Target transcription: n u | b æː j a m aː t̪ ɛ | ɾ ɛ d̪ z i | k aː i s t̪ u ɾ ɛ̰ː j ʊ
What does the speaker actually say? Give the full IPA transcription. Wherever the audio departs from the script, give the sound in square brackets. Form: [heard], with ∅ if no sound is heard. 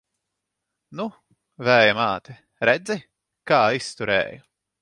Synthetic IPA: n u | [v] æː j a m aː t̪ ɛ | ɾ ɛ d̪ z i | k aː i s t̪ u ɾ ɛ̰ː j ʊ